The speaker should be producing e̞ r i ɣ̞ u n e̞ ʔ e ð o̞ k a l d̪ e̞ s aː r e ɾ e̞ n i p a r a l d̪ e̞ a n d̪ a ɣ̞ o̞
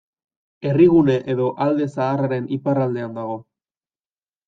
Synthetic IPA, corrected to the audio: e̞ r i ɣ̞ u n e̞ ʔ e ð o̞ ʔ a l d̪ e̞ s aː r a ɾ e̞ n i p a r a l d̪ e̞ a n d̪ a ɣ̞ o̞